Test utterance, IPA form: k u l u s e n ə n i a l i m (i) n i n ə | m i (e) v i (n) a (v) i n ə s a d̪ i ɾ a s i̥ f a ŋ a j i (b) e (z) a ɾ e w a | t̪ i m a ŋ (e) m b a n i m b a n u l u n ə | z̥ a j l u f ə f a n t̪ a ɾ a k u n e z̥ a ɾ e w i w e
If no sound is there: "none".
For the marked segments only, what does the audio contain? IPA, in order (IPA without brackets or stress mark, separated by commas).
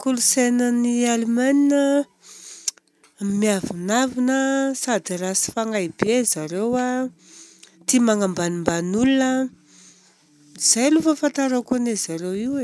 a, a, n, v, b, z, a